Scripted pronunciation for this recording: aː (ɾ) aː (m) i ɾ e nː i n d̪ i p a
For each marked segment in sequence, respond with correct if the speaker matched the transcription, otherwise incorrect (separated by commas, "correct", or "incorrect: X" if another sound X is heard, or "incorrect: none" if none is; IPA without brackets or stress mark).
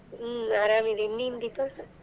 correct, correct